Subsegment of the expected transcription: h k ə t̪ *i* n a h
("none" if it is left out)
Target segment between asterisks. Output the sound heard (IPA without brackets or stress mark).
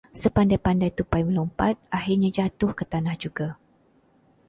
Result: a